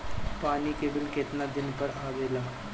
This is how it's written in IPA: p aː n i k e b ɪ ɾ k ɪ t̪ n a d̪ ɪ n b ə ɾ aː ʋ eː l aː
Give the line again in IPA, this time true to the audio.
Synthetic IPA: p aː n i k e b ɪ l k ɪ t̪ n a d̪ ɪ n p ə ɾ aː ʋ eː l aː